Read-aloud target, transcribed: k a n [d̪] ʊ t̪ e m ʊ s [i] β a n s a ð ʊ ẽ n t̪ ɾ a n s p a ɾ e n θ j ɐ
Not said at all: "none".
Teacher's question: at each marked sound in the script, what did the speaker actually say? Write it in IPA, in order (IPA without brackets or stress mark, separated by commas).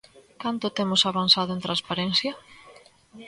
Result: t̪, a